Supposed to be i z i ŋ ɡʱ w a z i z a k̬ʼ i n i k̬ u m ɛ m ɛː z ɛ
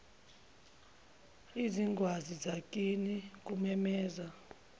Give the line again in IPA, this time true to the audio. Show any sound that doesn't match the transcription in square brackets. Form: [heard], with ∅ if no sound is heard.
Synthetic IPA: i z i ŋ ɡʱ w a z i z a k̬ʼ i n i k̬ u m ɛ m ɛː z [a]